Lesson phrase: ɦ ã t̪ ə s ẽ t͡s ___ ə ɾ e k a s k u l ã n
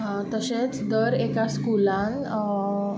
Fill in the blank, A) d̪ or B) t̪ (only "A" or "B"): A